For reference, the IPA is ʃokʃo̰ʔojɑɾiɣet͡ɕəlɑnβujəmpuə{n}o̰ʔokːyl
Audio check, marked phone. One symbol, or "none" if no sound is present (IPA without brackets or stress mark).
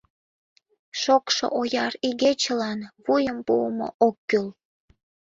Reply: m